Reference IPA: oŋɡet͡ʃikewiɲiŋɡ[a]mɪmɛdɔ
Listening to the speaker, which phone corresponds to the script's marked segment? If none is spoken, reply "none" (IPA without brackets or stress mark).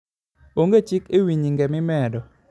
ɛ